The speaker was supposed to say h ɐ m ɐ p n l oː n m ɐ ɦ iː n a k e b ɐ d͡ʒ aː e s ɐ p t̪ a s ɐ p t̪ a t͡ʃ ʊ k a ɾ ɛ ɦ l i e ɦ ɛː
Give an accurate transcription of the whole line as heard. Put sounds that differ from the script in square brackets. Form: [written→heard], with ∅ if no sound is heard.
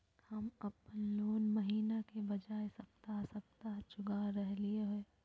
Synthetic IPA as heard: h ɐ m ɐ p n l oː n m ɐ ɦ iː n a k e b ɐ d͡ʒ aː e s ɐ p t̪ a s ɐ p t̪ a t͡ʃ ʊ [k→ɡ] a ɾ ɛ ɦ l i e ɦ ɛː

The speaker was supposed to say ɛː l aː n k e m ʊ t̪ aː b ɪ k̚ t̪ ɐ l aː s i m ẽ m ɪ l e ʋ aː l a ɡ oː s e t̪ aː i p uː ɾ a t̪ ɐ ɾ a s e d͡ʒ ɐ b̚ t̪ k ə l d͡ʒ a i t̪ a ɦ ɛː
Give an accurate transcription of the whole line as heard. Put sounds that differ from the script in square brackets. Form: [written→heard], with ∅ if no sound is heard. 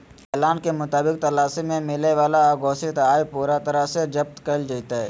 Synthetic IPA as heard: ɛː l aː n k e m ʊ t̪ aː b ɪ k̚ t̪ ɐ l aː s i m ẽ m ɪ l e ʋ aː l a ɡ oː s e t̪ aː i p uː ɾ a t̪ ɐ ɾ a s e d͡ʒ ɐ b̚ t̪ k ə l d͡ʒ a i t̪ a ɦ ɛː

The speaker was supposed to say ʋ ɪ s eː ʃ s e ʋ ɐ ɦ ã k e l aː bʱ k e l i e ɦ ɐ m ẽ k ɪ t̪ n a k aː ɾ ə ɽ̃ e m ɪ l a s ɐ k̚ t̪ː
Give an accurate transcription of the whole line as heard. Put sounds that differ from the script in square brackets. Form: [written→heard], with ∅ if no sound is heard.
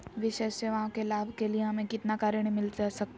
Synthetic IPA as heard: ʋ ɪ [s→ʃ] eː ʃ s e ʋ ɐ ɦ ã k e l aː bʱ k e l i e ɦ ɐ m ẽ k ɪ t̪ n a k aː ɾ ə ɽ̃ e m ɪ l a s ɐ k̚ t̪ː

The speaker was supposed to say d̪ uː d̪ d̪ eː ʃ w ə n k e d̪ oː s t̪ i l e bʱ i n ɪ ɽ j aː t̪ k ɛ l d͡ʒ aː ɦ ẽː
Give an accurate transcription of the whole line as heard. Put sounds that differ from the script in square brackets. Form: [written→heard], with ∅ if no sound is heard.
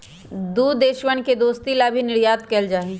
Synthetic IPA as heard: d̪ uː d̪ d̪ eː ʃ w ə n k e d̪ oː s t̪ i l [e→a] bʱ i n ɪ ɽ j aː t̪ k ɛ l d͡ʒ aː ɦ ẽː

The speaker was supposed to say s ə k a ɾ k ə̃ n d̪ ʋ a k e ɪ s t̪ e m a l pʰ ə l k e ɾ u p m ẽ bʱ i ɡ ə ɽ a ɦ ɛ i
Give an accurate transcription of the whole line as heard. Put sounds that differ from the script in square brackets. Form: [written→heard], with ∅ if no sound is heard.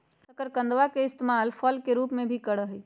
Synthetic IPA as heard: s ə k [a→ə] ɾ k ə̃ n d̪ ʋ a k e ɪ s t̪ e m a l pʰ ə l k e ɾ u p m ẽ bʱ i [ɡ→k] ə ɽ [a→ə] ɦ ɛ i

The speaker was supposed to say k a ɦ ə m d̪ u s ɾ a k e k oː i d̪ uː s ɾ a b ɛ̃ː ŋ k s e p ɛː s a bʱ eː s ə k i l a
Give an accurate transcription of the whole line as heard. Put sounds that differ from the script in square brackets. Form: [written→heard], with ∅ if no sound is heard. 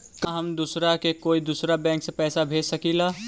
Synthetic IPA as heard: k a ɦ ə m d̪ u s ɾ a k e k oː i d̪ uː s ɾ a b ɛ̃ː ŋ k s e p ɛː s a bʱ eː s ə k i l a

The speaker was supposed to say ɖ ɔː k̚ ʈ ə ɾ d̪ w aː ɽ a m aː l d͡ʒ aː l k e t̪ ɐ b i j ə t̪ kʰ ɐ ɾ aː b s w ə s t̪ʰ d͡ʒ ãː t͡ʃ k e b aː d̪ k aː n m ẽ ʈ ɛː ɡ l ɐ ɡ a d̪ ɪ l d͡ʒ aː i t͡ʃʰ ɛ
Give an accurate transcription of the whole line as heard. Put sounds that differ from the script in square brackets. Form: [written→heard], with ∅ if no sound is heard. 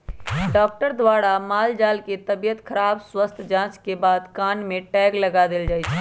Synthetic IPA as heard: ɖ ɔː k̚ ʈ ə ɾ d̪ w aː ɽ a m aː l d͡ʒ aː l k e t̪ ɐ b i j ə t̪ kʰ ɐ ɾ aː b s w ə s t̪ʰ d͡ʒ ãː t͡ʃ k e b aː d̪ k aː n m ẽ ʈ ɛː ɡ l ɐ ɡ a d̪ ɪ l d͡ʒ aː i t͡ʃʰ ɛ

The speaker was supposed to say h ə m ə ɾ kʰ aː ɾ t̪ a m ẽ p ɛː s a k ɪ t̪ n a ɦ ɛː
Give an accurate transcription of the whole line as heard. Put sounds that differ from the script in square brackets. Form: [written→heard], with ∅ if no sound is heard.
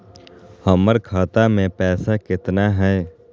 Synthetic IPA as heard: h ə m ə ɾ kʰ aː [ɾ→∅] t̪ a m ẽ p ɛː s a k ɪ t̪ n a ɦ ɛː

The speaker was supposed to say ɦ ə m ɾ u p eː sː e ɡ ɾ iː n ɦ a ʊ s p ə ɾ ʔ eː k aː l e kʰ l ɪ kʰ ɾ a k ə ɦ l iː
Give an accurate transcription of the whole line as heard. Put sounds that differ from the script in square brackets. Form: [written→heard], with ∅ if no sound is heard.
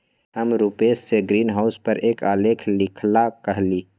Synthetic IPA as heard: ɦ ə m ɾ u p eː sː e ɡ ɾ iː n ɦ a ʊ s p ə ɾ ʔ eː k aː l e kʰ l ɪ kʰ [ɾ→l] a k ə ɦ l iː

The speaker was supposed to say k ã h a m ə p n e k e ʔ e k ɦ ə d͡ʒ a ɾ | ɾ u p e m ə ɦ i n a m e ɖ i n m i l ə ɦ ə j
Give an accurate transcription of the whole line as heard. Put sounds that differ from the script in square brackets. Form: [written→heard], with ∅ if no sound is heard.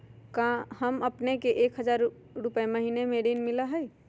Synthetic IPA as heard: k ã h [a→ə] m ə p n e k e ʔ e k ɦ ə d͡ʒ a ɾ | ɾ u p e m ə ɦ i n [a→e] m e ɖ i n m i l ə ɦ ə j

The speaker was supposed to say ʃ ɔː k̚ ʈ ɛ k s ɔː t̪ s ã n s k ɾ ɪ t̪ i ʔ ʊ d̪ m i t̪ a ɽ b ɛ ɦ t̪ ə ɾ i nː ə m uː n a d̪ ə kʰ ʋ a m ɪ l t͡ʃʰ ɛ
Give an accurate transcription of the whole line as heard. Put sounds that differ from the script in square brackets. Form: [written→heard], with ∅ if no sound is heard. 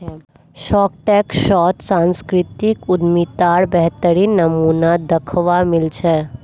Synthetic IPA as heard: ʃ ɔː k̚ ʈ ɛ k [s→ʃ] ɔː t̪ s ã n s k ɾ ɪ t̪ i [ʔ→k] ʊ d̪ m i t̪ a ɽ b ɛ ɦ t̪ ə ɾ i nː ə m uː n a d̪ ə kʰ ʋ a m ɪ l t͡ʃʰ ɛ

